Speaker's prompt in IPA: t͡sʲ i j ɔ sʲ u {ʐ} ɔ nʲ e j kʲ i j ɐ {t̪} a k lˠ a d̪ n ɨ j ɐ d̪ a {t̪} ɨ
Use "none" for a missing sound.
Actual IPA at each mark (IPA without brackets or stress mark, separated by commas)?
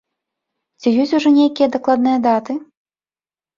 ʐ, d̪, t̪